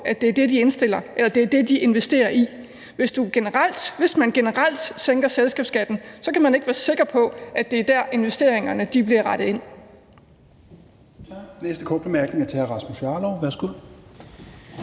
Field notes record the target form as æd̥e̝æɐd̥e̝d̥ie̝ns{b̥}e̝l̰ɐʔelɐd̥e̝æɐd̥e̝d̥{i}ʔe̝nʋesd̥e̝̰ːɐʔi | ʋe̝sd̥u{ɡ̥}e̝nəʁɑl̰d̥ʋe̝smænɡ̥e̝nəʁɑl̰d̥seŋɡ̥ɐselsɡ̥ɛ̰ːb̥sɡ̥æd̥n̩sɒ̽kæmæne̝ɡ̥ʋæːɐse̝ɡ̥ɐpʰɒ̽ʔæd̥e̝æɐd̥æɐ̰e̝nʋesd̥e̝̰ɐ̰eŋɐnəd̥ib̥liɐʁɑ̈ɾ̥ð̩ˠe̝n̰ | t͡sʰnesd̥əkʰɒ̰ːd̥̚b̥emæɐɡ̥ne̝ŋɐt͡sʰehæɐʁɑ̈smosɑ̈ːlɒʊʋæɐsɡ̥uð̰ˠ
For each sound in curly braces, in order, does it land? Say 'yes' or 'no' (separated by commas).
no, yes, yes